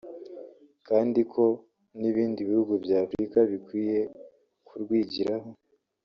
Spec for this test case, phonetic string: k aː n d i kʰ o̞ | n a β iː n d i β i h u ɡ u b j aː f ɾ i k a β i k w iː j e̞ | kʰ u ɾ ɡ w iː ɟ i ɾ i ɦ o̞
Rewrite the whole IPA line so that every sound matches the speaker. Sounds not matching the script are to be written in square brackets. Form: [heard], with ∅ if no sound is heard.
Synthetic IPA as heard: k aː n d i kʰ o̞ | n [i] β iː n d i β i h u ɡ u b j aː f ɾ i k a β i k w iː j e̞ | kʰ u ɾ ɡ w iː ɟ i ɾ [a] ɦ o̞